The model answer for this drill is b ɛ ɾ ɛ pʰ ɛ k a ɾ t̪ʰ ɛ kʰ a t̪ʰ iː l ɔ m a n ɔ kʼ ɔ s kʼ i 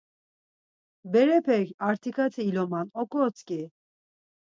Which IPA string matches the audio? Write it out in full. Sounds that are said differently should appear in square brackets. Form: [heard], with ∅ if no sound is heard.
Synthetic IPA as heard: b ɛ ɾ ɛ pʰ ɛ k a ɾ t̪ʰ [i] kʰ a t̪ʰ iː l ɔ m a n ɔ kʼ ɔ [t͡s] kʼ i